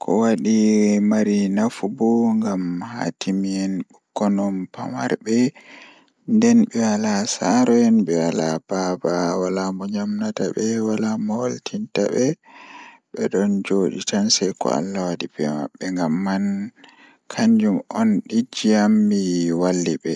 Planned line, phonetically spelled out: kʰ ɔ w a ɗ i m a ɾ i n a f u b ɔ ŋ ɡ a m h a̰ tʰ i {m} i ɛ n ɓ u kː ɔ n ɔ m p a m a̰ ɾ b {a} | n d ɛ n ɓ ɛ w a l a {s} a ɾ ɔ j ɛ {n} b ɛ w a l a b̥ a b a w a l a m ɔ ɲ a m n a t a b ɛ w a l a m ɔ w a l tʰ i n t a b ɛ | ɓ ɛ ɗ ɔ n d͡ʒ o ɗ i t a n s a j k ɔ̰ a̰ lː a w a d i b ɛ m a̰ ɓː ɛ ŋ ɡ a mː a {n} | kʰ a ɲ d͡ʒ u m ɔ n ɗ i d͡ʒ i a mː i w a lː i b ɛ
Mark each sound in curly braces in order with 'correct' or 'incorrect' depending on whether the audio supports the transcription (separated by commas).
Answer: correct, incorrect, correct, correct, correct